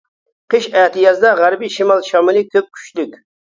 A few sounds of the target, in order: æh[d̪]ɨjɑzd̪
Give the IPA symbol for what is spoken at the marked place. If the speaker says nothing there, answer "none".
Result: t̪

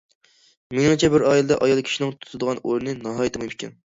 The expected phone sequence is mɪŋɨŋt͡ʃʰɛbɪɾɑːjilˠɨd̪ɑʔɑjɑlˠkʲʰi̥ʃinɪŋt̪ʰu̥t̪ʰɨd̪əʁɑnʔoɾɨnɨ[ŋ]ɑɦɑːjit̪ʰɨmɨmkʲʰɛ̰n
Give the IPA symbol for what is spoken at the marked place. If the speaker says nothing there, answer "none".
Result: n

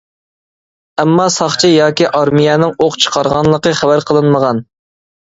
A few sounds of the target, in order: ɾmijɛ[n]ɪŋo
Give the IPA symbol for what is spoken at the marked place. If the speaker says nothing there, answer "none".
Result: n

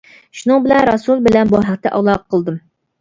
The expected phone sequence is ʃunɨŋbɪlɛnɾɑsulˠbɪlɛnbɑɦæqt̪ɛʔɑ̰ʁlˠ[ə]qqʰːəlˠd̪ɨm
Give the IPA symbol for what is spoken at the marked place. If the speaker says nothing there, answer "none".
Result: ɑ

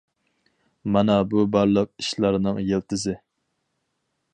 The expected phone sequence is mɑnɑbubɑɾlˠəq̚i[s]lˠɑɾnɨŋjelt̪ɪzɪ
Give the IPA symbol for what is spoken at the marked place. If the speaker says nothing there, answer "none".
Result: ʃ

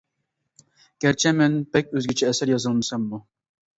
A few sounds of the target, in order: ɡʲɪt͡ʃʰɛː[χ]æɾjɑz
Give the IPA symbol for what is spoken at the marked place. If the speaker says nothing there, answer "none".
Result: s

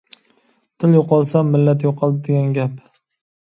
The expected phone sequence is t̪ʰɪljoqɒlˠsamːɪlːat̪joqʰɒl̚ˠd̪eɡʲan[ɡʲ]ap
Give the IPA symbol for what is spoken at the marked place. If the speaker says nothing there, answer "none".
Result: ɡʲ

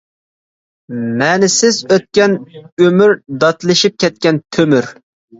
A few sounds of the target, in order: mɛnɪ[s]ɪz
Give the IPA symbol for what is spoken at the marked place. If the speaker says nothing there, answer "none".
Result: s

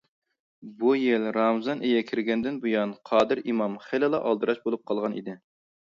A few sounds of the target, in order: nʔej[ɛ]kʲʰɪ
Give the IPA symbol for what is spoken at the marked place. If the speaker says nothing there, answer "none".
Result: ɛ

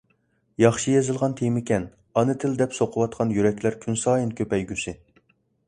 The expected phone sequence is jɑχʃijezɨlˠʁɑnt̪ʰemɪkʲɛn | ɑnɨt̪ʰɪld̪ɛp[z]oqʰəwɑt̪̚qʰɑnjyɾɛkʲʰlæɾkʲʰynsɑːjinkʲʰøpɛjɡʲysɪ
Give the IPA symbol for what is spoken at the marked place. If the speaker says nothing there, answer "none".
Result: s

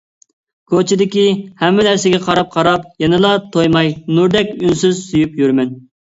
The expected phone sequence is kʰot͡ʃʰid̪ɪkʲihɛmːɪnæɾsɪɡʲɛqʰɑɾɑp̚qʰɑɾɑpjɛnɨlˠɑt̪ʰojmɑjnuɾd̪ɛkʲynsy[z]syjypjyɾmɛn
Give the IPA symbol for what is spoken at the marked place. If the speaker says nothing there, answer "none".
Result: z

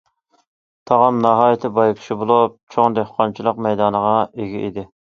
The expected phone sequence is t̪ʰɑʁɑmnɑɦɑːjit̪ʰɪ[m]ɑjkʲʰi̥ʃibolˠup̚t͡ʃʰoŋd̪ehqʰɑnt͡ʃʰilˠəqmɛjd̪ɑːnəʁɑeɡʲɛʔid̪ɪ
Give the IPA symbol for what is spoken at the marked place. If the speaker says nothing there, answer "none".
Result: b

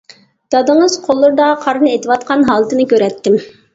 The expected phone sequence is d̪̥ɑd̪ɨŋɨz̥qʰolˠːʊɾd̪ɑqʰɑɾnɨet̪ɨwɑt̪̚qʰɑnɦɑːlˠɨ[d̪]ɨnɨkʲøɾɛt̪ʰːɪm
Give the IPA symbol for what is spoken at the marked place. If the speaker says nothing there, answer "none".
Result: t̪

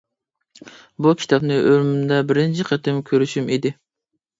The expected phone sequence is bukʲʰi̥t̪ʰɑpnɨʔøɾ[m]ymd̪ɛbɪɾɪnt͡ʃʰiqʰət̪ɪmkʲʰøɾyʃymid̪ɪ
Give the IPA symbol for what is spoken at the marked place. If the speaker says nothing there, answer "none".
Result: m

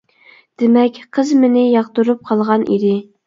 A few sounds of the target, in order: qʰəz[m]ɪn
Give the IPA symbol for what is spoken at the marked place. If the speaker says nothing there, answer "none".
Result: m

